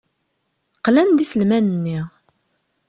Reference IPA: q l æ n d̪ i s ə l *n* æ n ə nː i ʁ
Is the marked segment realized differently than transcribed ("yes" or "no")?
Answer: yes